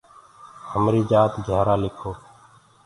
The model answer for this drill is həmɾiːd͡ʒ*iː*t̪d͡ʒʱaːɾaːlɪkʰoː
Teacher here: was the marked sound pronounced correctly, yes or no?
no